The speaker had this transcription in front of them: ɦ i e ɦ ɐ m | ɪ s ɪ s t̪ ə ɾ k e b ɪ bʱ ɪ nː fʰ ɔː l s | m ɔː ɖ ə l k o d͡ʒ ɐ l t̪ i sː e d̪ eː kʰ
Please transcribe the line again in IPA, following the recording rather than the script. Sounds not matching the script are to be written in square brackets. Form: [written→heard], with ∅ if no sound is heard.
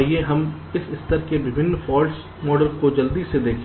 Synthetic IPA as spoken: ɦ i e ɦ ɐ m | ɪ s ɪ s t̪ ə ɾ k e b ɪ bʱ ɪ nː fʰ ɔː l s | m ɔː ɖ ə l k o d͡ʒ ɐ l [t̪→d̪] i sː e d̪ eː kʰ